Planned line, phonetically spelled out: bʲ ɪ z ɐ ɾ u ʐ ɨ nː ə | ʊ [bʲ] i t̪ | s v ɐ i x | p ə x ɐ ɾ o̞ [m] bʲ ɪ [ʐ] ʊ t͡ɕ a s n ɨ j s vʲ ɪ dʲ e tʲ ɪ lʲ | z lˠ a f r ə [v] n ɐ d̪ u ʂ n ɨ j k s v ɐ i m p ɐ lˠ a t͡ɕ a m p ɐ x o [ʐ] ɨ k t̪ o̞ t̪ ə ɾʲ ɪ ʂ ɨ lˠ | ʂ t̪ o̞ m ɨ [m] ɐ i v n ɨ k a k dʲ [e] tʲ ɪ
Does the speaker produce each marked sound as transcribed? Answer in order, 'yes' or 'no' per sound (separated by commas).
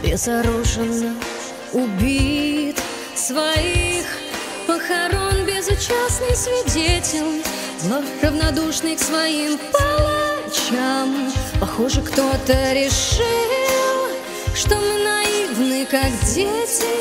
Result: yes, no, no, yes, yes, no, yes